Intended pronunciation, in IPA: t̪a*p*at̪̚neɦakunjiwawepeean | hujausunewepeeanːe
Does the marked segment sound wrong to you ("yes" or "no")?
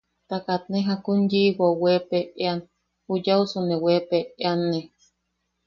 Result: yes